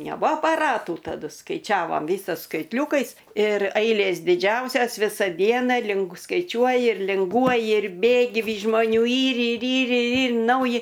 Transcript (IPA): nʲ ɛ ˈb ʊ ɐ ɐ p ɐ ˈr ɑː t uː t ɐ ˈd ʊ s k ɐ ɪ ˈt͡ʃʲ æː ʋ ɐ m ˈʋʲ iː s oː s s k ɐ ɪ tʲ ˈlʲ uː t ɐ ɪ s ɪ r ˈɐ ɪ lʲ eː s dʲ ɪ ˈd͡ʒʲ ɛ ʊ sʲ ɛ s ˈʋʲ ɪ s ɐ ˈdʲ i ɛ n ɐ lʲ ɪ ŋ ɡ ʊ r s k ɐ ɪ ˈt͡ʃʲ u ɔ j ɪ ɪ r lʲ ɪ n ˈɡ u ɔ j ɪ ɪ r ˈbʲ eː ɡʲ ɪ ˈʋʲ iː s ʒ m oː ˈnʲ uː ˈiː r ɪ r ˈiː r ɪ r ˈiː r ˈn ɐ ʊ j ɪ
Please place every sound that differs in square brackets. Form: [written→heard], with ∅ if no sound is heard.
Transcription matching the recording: nʲ ɛ ˈb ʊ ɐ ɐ p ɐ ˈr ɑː t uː t ɐ ˈd ʊ s k ɐ ɪ ˈt͡ʃʲ æː ʋ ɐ m ˈʋʲ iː s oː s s k ɐ ɪ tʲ ˈlʲ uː [t→k] ɐ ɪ s ɪ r ˈɐ ɪ lʲ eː s dʲ ɪ ˈd͡ʒʲ ɛ ʊ sʲ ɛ s ˈʋʲ ɪ s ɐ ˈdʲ i ɛ n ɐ lʲ ɪ ŋ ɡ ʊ [r→∅] s k ɐ ɪ ˈt͡ʃʲ u ɔ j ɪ ɪ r lʲ ɪ [n→ŋ] ˈɡ u ɔ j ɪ ɪ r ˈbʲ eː ɡʲ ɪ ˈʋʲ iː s ʒ m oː ˈnʲ uː ˈiː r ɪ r ˈiː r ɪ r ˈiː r ˈn ɐ ʊ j ɪ